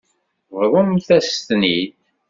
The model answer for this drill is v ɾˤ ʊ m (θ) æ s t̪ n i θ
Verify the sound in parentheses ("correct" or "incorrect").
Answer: correct